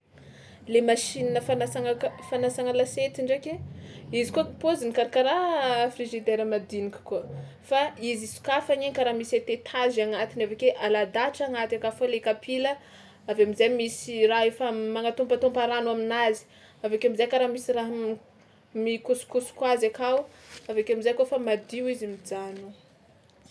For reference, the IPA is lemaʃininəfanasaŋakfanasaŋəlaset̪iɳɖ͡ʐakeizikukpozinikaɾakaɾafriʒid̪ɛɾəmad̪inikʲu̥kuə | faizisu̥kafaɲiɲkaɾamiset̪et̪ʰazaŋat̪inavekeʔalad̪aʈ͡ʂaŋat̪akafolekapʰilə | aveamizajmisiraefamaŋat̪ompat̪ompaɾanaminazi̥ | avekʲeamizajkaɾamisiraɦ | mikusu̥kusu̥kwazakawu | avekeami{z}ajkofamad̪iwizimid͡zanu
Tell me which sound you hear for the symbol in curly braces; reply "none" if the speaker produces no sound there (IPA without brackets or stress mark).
z